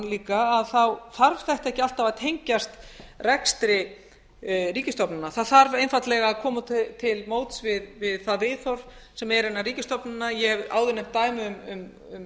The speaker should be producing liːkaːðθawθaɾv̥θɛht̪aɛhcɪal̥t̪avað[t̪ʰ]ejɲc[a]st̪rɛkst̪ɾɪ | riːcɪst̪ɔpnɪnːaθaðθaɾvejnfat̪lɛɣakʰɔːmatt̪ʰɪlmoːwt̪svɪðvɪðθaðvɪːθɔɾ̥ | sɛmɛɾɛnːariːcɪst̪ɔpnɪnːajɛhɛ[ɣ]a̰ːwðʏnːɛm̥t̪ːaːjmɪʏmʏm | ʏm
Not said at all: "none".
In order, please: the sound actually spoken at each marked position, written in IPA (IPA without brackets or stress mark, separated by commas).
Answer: t̪ʰ, a, v